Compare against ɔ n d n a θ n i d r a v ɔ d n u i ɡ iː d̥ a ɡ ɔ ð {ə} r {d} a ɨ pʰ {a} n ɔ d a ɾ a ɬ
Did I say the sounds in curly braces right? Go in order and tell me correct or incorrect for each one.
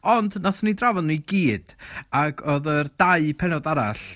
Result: correct, correct, incorrect: ɛ

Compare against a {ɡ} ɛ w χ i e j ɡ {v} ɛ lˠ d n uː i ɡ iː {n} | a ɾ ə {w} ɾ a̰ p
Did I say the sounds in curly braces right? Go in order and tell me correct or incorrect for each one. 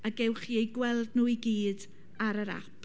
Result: correct, incorrect: w, incorrect: d, incorrect: none

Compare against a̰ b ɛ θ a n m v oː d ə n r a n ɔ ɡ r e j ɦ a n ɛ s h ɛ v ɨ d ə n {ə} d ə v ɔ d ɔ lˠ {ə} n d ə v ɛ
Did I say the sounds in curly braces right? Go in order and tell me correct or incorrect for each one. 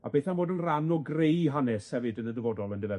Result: correct, correct

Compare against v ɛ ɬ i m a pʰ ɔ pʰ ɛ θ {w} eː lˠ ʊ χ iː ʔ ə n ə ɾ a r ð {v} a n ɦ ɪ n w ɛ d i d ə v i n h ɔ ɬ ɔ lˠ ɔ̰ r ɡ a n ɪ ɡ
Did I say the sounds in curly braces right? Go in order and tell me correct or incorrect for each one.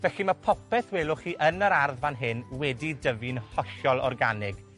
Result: correct, correct

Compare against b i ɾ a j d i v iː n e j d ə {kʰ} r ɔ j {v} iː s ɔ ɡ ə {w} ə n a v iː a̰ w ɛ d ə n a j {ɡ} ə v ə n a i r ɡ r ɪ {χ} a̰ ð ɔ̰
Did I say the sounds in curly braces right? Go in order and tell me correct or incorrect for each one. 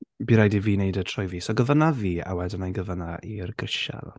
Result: incorrect: tʰ, correct, incorrect: v, correct, incorrect: ʃ

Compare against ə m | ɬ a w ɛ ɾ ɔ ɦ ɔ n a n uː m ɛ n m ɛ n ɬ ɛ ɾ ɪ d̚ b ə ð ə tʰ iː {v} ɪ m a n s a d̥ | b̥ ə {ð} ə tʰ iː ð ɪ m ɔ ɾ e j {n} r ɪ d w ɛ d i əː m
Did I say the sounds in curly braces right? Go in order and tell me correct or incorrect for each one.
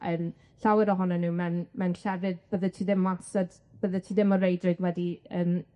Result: incorrect: ð, correct, incorrect: d

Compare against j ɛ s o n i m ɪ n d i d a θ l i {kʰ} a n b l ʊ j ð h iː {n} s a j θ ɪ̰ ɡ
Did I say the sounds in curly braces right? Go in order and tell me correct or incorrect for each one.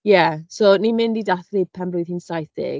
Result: incorrect: pʰ, correct

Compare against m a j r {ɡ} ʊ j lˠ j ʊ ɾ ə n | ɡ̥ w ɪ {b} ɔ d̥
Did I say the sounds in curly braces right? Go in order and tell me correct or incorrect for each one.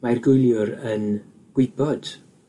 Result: correct, correct

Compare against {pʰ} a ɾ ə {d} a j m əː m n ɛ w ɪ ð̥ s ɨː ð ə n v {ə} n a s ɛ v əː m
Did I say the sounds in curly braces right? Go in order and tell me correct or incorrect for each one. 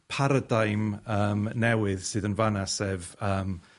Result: correct, correct, incorrect: a

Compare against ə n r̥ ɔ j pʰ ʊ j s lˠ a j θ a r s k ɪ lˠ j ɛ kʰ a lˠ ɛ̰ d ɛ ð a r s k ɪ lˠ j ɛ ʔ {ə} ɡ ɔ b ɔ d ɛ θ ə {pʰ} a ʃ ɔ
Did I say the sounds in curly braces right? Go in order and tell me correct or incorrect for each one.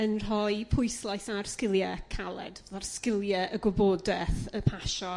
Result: correct, correct

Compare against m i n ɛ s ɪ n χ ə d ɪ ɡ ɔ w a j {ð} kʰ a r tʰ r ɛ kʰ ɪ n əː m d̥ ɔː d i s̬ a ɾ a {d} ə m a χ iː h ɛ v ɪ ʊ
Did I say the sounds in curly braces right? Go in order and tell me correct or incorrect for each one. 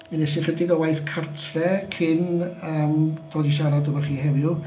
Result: incorrect: θ, correct

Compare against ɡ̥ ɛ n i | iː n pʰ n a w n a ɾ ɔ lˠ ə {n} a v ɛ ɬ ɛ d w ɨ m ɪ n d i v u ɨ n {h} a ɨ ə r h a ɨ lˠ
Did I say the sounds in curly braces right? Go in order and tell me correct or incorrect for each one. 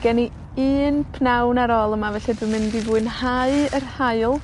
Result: incorrect: m, correct

